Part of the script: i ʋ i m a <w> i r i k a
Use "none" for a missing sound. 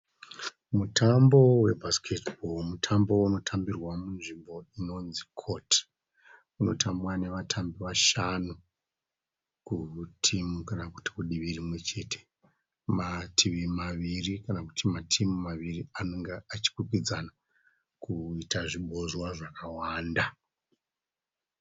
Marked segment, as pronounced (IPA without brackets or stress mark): ʋ